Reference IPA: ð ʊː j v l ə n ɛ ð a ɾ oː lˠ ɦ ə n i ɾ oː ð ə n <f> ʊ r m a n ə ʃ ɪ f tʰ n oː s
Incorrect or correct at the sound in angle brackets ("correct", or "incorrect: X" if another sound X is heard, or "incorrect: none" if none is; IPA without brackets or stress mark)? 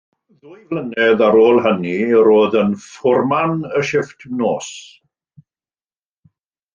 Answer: correct